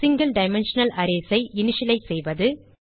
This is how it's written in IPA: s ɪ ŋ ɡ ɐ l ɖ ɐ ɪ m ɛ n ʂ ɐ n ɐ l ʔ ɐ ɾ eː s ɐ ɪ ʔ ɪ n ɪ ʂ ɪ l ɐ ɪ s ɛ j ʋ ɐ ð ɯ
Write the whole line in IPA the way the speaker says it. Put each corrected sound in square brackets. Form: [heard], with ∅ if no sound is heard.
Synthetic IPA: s ɪ ŋ ɡ ɐ l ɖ ɐ ɪ m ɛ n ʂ ɐ n ɐ l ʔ ɐ ɾ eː s ɐ ɪ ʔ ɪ n ɪ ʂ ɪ l ɐ ɪ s ɛ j ʋ ɐ ð ɯ